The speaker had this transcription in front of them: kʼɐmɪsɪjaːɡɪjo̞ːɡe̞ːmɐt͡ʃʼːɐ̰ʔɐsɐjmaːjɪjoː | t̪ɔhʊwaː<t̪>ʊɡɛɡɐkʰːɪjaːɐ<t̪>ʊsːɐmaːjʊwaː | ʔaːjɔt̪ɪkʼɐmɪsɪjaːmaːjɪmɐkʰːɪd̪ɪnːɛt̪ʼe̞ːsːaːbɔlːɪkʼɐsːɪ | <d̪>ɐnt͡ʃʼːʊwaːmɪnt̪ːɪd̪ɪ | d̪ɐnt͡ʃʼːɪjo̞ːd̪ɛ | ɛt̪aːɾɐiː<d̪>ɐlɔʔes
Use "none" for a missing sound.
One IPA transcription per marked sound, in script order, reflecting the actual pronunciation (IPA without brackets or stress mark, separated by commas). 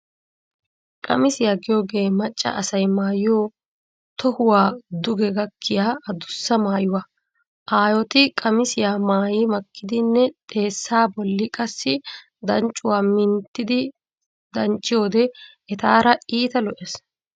d̪, d̪, d̪, t̪